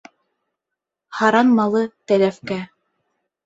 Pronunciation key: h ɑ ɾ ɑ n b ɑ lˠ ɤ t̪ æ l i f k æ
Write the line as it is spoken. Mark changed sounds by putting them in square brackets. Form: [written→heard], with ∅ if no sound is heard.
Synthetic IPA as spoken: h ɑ ɾ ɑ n [b→m] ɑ lˠ ɤ t̪ æ l [i→æ] f k æ